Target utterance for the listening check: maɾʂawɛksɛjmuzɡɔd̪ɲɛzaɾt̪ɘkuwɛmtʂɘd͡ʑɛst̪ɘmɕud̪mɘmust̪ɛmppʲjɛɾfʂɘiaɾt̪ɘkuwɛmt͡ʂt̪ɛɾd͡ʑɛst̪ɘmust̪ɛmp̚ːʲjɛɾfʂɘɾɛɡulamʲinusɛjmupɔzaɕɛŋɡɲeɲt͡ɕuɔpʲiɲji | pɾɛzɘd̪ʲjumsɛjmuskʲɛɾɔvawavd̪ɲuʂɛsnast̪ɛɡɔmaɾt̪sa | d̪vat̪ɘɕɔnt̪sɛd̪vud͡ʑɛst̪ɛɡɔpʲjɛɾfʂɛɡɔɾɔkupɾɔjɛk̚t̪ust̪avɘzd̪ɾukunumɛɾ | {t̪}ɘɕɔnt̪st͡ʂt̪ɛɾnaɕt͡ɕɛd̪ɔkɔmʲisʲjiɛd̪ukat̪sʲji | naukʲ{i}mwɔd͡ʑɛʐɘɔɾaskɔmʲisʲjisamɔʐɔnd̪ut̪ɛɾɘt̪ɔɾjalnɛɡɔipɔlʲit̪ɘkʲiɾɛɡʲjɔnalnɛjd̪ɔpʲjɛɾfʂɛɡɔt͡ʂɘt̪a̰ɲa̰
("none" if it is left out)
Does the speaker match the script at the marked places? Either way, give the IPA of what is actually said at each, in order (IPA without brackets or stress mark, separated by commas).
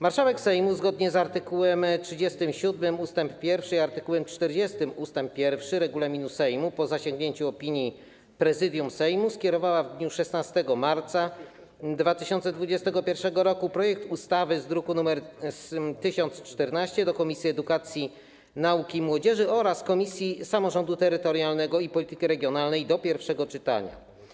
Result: t̪, i